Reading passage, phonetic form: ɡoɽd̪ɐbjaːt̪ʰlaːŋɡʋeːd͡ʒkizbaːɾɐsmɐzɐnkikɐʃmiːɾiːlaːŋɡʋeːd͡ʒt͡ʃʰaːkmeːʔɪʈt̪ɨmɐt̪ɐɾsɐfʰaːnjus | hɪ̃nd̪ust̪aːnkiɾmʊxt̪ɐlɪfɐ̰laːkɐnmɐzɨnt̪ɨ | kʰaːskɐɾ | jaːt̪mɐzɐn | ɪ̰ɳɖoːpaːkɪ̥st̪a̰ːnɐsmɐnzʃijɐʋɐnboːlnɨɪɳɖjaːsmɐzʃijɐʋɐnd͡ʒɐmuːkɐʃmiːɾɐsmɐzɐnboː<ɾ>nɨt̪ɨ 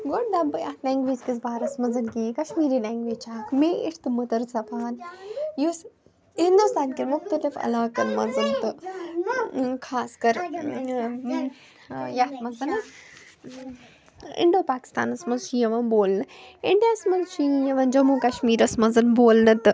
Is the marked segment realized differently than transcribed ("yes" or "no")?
yes